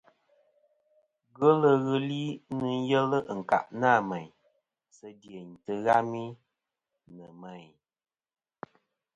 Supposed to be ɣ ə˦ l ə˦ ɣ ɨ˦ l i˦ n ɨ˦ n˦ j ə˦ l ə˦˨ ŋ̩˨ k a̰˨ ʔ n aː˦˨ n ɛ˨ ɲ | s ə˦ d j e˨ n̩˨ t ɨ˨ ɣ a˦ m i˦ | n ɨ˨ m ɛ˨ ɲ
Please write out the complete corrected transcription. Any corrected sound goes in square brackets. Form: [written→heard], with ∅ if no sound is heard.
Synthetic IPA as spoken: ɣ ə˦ l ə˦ ɣ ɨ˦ l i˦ n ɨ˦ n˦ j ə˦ l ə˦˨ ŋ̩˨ k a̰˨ ʔ n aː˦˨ [n→m] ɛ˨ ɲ | s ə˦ d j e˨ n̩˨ t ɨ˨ ɣ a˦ m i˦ | n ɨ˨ m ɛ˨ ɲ